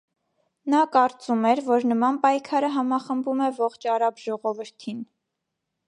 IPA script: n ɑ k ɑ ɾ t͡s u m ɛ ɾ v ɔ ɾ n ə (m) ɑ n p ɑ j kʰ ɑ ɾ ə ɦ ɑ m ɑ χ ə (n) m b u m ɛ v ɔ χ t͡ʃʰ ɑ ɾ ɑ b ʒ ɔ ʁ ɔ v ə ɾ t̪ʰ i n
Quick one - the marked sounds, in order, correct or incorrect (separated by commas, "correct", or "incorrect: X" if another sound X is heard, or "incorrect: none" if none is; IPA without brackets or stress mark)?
correct, incorrect: none